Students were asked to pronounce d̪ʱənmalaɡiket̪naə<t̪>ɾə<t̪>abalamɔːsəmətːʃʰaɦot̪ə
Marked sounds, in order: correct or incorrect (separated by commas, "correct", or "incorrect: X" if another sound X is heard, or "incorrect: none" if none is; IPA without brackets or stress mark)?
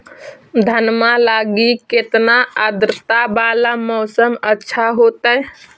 incorrect: d̪, correct